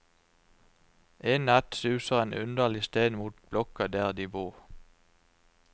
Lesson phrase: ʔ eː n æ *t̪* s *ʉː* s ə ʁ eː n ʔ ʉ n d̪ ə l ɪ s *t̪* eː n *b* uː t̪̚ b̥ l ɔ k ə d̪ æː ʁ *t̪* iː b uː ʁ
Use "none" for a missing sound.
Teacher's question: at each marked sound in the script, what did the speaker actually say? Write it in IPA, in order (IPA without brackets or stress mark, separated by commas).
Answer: t̪, ʉː, t̪, m, d̪